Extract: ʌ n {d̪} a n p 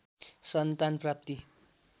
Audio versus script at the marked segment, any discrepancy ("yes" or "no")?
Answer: yes